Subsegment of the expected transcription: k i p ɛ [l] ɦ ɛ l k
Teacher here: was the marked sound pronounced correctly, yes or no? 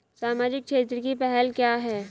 no